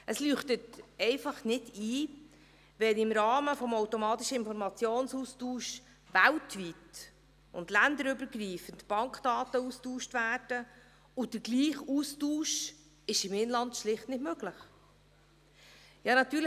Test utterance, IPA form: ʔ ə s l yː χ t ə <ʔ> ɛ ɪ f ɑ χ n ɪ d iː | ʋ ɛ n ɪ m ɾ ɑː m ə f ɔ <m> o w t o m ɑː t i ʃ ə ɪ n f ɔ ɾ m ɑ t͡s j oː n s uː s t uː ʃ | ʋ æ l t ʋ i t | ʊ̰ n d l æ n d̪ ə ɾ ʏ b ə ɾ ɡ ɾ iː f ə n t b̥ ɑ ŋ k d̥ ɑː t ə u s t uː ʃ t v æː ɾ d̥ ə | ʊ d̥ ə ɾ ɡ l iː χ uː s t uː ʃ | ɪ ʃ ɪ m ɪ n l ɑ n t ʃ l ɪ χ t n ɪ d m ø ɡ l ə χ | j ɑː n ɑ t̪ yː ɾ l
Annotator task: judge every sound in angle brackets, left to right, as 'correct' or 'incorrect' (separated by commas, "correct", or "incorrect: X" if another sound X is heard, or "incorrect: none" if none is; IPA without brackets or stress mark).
incorrect: t, correct